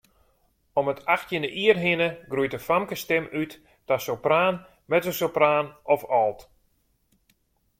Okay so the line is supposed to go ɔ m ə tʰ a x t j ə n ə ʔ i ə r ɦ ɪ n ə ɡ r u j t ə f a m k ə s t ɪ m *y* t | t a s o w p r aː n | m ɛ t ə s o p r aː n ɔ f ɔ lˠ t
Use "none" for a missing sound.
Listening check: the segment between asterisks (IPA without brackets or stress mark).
y